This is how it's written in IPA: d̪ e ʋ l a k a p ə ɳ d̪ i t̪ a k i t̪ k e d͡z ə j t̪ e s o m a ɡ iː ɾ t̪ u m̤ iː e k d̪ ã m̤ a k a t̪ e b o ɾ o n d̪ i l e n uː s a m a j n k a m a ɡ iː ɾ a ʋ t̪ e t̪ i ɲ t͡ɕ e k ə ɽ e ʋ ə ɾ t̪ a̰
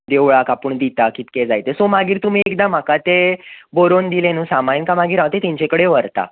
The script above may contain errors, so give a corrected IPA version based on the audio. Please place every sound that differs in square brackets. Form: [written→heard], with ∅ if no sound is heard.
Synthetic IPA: d̪ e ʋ [l→ɭ] a k a p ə ɳ d̪ i t̪ a k i t̪ k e d͡z [ə→a] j t̪ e s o m a ɡ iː ɾ t̪ u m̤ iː e k d̪ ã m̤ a k a t̪ e b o ɾ o n d̪ i l e n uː s a m a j n k a m a ɡ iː ɾ a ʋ t̪ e t̪ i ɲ t͡ɕ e k ə ɽ e ʋ ə ɾ t̪ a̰

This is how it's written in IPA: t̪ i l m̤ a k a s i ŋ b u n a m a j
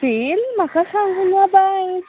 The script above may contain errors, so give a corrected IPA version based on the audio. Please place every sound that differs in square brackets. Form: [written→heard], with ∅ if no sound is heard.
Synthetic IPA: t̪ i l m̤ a k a s [i→a] ŋ [b→ɡ] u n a [m→b] a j

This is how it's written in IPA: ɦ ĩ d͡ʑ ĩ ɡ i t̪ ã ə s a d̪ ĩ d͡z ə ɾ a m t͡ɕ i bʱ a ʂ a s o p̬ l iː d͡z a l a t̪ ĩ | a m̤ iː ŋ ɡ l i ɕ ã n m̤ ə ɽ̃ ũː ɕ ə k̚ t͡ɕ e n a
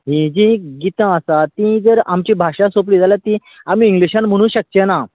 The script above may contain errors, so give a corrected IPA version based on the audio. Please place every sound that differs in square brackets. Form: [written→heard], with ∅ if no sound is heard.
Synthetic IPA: ɦ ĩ d͡ʑ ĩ ɡ i t̪ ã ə s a [d̪→t̪] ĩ d͡z ə ɾ a m t͡ɕ i bʱ a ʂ a s o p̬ l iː d͡z a l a t̪ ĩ | a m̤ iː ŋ ɡ l i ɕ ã n m̤ ə ɽ̃ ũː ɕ ə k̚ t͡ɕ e n a

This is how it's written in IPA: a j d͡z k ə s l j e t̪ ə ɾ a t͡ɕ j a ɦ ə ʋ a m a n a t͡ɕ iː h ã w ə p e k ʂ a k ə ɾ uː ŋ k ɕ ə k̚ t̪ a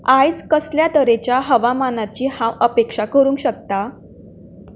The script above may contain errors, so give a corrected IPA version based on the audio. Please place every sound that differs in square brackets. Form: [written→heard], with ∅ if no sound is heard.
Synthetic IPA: a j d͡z k ə s l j [e→a] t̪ ə ɾ [a→e] t͡ɕ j a ɦ ə ʋ a m a n a t͡ɕ iː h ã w ə p e k ʂ a k ə ɾ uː ŋ k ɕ ə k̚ t̪ a

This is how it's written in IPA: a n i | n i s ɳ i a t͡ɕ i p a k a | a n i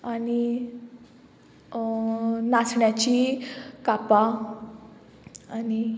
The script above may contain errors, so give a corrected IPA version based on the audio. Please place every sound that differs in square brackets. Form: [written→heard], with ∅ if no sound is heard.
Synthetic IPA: a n i | n [i→a] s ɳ [i→j] a t͡ɕ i [p→k] a [k→p] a | a n i

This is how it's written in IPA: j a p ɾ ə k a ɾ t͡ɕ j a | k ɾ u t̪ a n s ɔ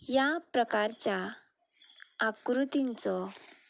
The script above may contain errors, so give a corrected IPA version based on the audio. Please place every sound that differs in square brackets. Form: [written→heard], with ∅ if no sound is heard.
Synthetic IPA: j a p ɾ ə k a ɾ t͡ɕ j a | k ɾ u t̪ [a→i] n [s→t͡s] ɔ

